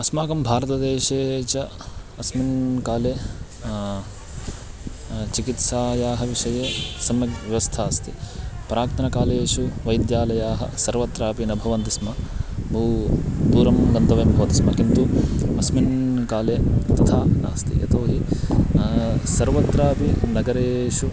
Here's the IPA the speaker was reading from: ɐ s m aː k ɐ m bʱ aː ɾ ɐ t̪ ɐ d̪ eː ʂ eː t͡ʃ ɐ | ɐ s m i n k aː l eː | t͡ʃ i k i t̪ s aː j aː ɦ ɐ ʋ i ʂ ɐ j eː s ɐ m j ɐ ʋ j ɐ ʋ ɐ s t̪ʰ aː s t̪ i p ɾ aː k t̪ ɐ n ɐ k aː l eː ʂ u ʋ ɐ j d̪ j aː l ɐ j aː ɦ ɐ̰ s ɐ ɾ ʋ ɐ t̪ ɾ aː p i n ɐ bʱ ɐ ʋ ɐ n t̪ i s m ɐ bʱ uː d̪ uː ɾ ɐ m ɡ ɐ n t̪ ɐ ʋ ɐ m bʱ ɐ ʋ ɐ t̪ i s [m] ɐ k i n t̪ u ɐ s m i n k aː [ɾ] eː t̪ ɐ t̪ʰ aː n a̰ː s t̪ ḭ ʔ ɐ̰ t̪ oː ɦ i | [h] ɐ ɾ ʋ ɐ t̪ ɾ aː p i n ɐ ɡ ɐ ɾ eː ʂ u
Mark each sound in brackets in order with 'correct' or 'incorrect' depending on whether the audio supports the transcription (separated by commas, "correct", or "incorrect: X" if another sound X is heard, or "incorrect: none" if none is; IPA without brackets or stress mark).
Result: correct, incorrect: l, incorrect: s